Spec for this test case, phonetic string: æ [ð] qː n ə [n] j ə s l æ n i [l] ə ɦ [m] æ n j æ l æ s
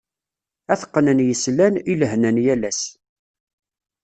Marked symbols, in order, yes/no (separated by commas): no, yes, yes, no